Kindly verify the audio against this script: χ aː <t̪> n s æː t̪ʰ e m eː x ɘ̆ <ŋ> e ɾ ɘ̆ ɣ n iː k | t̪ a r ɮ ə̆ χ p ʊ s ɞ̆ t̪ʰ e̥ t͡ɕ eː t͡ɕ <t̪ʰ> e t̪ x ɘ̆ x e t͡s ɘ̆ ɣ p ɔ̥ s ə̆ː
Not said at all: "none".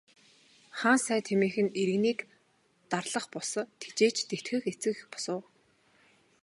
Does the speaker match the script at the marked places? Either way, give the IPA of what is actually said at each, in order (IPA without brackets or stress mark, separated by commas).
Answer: none, n, t̪